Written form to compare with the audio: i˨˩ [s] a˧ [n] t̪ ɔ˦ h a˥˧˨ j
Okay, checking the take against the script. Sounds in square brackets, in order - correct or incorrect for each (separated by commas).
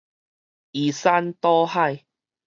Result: correct, correct